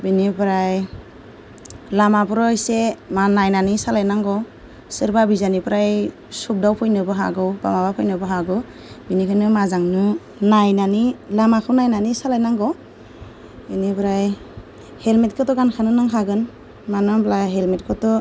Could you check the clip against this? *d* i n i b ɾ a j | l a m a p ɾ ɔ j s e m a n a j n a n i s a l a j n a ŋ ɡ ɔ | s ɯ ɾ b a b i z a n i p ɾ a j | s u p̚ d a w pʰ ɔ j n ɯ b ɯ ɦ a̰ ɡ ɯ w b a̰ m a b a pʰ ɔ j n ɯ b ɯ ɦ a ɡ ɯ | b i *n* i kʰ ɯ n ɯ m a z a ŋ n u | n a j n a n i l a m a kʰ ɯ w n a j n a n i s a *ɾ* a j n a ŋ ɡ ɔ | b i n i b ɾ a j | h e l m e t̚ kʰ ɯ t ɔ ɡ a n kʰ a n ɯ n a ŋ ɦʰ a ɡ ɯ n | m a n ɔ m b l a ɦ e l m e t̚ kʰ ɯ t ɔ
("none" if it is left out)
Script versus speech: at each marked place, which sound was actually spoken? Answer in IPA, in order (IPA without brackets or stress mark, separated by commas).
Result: b, n, l